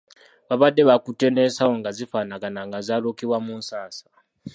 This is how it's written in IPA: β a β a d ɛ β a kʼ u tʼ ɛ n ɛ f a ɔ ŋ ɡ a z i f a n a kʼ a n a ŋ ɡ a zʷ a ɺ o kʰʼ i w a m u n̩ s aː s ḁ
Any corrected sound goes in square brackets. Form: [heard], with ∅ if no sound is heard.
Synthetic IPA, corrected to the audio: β a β a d ɛ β a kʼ u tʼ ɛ n ɛ [s] a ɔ ŋ ɡ a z i f a n a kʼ a n a ŋ ɡ a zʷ a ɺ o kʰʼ i w a m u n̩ s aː s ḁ